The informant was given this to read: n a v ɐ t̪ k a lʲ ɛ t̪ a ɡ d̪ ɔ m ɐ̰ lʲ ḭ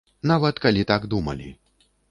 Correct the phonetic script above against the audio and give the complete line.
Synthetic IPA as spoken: n a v ɐ t̪ k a lʲ i t̪ a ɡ d̪ u m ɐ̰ lʲ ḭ

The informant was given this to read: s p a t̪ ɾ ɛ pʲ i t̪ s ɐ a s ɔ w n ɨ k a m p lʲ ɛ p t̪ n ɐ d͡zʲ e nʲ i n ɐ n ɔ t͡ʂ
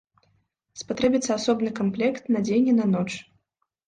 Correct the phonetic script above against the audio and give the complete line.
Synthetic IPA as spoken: s p a t̪ ɾ ɛ bʲ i t̪ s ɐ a s ɔ b n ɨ k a m p lʲ ɛ k t̪ n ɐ d͡zʲ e nʲ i n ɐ n ɔ t͡ʂ

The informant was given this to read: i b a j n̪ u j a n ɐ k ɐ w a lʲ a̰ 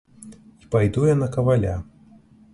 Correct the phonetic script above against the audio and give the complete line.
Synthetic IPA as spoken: i p a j d̪ u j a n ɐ k ɐ v a lʲ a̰

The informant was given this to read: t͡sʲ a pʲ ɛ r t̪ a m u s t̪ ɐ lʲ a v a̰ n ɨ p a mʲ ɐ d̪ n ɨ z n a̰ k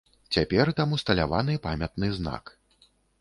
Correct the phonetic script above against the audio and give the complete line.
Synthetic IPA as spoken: t͡sʲ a pʲ ɛ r t̪ a m u s t̪ ɐ lʲ a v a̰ n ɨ p a mʲ ɐ t̪ n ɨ z n a̰ k

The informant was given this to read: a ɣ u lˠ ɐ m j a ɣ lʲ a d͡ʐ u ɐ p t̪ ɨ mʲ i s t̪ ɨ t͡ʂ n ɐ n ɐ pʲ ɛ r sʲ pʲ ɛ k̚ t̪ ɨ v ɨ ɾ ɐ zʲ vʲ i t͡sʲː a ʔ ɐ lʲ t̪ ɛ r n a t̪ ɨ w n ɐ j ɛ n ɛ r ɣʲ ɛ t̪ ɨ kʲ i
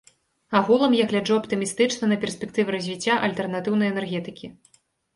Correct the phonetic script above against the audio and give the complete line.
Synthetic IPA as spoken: a ɣ u lˠ ɐ m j a ɣ lʲ a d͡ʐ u ɐ p t̪ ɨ mʲ i s t̪ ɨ t͡ʂ n ɐ n ɐ pʲ ɛ r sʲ pʲ ɛ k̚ t̪ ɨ v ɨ ɾ ɐ zʲ vʲ i t͡sʲː a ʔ ɐ lʲ t̪ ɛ r n a t̪ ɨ w n ɐ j ɛ n ɛ r ɣʲ ɛ t̪ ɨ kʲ i

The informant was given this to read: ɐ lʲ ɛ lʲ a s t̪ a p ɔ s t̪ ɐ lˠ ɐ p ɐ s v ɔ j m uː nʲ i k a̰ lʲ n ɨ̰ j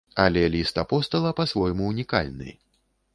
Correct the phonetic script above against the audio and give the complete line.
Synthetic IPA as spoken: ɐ lʲ ɛ lʲ i s t̪ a p ɔ s t̪ ɐ lˠ ɐ p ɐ s v ɔ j m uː nʲ i k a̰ lʲ n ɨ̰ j

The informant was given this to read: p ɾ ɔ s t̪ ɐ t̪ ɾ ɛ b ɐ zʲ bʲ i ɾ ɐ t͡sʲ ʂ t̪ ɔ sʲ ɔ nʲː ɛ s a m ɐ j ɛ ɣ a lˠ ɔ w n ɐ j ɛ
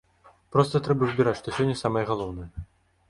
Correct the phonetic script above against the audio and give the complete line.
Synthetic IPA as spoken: p ɾ ɔ s t̪ ɐ t̪ ɾ ɛ b ɐ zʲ bʲ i ɾ a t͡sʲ ʂ t̪ ɔ sʲ ɔ nʲː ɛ s a m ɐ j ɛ ɣ a lˠ ɔ w n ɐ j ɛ

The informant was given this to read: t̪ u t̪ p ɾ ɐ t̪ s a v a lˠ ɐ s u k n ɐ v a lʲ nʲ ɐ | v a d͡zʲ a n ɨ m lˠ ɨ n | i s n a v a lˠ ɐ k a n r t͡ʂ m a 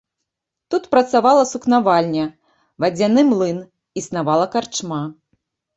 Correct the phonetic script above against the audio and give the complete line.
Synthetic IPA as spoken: t̪ u t̪ p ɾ ɐ t̪ s a v a lˠ ɐ s u k n a v a lʲ nʲ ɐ | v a d͡zʲ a n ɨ m lˠ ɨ n | i s n a v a lˠ ɐ k a r t͡ʂ m a

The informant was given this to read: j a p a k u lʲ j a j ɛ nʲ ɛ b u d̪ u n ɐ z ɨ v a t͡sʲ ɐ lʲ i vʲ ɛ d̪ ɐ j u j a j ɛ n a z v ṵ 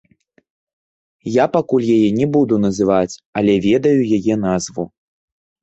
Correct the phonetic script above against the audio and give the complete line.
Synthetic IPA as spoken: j a p a k u lʲ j a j ɛ nʲ ɛ b u d̪ u n ɐ z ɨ v a t͡sʲ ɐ lʲ ɛ vʲ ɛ d̪ ɐ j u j a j ɛ n a z v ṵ

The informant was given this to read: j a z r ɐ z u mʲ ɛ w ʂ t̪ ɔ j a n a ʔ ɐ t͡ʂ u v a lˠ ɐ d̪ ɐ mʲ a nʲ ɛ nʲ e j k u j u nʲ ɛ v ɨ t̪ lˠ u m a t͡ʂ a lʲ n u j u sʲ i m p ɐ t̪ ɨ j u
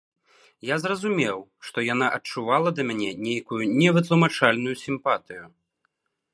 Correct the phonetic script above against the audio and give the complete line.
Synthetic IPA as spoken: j a z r ɐ z u mʲ ɛ w ʂ t̪ ɔ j a n a ʔ ɐ t͡ʂ u v a lˠ ɐ d̪ ɐ mʲ a nʲ ɛ nʲ e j k u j u nʲ ɛ v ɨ t̪ lˠ u m a t͡ʂ a lʲ n u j u sʲ i m p a t̪ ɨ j u

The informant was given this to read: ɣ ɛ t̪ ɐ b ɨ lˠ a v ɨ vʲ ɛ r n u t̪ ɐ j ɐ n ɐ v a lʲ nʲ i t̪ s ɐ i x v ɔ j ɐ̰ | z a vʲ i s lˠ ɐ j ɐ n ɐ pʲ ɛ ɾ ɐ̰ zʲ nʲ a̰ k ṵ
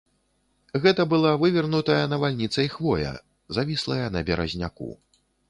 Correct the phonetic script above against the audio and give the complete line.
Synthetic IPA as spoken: ɣ ɛ t̪ ɐ b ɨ lˠ a v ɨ vʲ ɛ r n u t̪ ɐ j ɐ n ɐ v a lʲ nʲ i t̪ s ɐ i x v ɔ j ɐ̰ | z a vʲ i s lˠ ɐ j ɐ n ɐ bʲ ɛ ɾ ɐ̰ zʲ nʲ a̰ k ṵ

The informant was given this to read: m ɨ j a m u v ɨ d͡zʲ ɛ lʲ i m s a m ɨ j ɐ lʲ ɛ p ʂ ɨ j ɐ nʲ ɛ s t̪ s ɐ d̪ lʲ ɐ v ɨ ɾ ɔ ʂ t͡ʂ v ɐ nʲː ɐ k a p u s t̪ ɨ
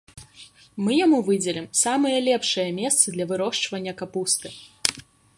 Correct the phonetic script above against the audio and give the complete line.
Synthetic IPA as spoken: m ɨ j a m u v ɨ d͡zʲ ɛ lʲ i m s a m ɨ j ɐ lʲ ɛ p ʂ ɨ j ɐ mʲ ɛ s t̪ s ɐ d̪ lʲ ɐ v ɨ ɾ ɔ ʂ t͡ʂ v ɐ nʲː ɐ k a p u s t̪ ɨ

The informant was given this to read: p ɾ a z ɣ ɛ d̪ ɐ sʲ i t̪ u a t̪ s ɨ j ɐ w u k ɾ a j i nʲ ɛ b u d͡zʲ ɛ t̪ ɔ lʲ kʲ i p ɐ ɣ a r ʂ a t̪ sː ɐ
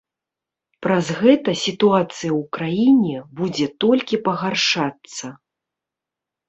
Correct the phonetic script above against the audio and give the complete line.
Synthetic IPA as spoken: p ɾ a z ɣ ɛ t̪ ɐ sʲ i t̪ u a t̪ s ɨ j ɐ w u k ɾ a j i nʲ ɛ b u d͡zʲ ɛ t̪ ɔ lʲ kʲ i p ɐ ɣ a r ʂ a t̪ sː ɐ

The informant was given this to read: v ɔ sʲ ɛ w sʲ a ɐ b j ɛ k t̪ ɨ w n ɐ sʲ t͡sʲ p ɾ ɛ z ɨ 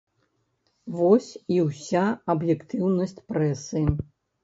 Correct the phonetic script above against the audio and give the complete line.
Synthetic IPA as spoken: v ɔ sʲ i w sʲ a ɐ b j ɛ k t̪ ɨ w n ɐ sʲ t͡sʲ p ɾ ɛ s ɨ

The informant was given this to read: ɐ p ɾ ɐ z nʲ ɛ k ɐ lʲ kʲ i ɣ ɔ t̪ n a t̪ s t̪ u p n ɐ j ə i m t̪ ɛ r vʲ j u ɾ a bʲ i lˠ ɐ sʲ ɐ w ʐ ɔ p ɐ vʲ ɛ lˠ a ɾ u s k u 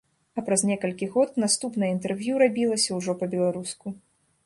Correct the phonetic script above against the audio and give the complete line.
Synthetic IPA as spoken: ɐ p ɾ ɐ z nʲ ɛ k ɐ lʲ kʲ i ɣ ɔ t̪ n a s t̪ u p n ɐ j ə i n t̪ ɛ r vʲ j u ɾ a bʲ i lˠ ɐ sʲ ɐ w ʐ ɔ p ɐ bʲ ɛ lˠ a ɾ u s k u

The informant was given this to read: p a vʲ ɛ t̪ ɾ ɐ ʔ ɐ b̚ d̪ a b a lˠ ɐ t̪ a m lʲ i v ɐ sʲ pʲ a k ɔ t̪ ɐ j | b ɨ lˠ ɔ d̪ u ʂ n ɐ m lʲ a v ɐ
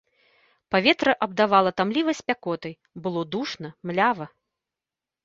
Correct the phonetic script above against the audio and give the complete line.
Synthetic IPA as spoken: p a vʲ ɛ t̪ ɾ ɐ ʔ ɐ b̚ d̪ a v a lˠ ɐ t̪ a m lʲ i v ɐ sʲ pʲ a k ɔ t̪ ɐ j | b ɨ lˠ ɔ d̪ u ʂ n ɐ m lʲ a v ɐ

